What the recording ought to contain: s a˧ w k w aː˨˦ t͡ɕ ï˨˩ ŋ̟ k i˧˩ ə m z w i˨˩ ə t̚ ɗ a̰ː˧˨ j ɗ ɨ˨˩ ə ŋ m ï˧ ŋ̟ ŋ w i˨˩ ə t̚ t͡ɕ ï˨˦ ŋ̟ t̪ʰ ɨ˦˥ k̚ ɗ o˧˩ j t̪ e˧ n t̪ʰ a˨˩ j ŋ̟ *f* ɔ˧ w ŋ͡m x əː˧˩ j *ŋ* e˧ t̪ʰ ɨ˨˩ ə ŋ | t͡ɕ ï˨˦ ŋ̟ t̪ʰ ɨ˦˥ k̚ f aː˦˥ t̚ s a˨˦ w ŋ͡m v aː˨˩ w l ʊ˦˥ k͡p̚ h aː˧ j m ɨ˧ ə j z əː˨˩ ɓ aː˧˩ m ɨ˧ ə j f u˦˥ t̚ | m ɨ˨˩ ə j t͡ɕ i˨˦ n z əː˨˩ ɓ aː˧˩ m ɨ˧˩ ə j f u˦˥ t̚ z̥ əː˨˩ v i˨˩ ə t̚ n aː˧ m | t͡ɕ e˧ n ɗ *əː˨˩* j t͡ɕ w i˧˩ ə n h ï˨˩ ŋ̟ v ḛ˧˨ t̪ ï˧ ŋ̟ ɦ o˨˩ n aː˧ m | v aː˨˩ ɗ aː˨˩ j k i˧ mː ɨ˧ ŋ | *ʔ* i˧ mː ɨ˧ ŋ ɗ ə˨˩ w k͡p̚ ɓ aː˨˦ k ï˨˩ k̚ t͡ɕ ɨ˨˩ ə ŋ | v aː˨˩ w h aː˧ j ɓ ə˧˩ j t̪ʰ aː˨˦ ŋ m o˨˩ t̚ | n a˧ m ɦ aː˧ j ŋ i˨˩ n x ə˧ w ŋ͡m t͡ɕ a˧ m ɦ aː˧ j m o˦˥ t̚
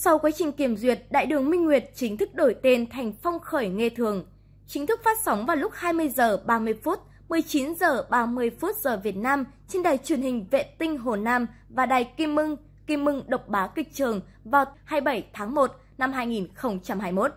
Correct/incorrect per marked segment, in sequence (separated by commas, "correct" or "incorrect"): correct, correct, incorrect, incorrect